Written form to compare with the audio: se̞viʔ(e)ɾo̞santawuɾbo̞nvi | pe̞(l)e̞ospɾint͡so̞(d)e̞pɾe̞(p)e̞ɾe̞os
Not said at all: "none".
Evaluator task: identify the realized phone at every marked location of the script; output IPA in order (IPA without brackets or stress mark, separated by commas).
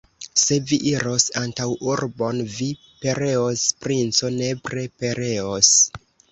i, ɾ, n, p